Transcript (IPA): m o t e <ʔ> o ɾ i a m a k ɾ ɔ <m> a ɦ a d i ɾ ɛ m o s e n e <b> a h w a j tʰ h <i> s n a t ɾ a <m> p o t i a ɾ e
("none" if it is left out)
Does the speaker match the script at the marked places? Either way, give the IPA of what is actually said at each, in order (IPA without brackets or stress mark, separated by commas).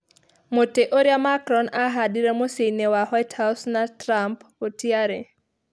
ʔ, n, w, a, m